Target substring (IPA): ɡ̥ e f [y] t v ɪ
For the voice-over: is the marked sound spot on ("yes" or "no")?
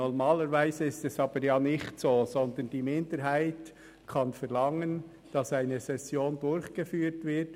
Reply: no